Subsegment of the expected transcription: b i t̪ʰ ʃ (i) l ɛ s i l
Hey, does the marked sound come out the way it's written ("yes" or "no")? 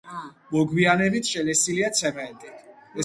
no